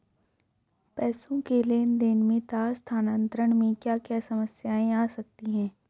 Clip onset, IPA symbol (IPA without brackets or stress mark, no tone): p